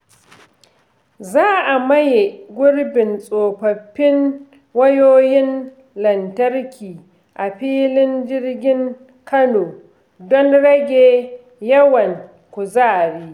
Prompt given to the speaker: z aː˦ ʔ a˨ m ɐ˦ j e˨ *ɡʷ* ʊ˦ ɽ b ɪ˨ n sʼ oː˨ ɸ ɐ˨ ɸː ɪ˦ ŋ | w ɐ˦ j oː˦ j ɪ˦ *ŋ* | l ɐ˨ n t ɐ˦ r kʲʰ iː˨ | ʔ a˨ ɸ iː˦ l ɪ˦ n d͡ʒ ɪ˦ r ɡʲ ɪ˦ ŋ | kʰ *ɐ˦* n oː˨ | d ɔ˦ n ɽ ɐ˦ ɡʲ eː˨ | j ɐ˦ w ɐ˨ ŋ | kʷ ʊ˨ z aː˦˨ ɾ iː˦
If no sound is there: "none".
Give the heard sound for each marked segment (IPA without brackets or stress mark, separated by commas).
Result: ɡʷ, n, ɐ˦